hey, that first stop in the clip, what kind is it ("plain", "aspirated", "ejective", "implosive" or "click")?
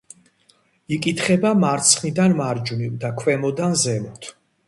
ejective